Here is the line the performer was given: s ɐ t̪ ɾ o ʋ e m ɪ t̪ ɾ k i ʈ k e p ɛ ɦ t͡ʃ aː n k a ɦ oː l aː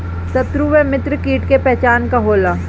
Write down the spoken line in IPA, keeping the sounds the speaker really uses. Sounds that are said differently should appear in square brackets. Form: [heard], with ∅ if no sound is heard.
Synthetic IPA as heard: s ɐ t̪ ɾ [u] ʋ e m ɪ t̪ ɾ k [iː] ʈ k e p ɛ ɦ t͡ʃ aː n k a ɦ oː l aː